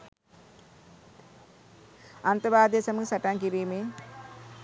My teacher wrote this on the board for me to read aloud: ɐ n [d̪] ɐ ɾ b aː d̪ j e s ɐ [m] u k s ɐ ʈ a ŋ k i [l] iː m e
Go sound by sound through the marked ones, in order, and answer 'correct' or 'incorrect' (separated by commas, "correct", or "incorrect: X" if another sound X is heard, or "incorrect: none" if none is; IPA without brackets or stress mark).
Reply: incorrect: t̪, correct, incorrect: ɾ